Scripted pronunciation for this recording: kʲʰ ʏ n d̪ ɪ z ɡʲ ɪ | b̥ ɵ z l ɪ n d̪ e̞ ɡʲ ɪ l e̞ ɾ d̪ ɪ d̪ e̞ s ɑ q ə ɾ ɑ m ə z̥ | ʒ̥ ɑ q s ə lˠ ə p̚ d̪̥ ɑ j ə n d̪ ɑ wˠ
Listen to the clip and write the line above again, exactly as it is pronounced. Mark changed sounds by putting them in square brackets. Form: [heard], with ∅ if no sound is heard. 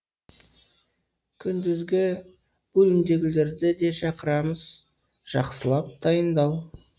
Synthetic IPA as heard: kʲʰ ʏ n d̪ ɪ z ɡʲ ɪ | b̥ ɵ [∅] l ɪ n d̪ e̞ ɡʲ ɪ l e̞ ɾ d̪ ɪ d̪ e̞ [ʃ] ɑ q ə ɾ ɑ m ə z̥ | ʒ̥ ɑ q s ə lˠ [ɑ] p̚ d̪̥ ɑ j ə n d̪ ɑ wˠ